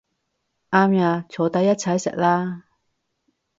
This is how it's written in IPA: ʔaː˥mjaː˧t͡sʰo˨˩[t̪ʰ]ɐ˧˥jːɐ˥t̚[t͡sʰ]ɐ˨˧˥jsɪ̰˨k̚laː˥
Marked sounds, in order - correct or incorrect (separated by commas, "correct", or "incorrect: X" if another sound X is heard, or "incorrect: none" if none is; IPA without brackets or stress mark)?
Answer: incorrect: t̪, correct